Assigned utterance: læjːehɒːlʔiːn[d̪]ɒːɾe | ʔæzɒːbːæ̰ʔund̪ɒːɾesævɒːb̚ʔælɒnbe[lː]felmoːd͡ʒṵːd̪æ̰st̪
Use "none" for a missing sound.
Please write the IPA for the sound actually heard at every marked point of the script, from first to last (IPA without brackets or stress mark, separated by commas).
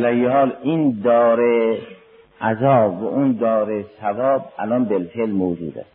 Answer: d̪, l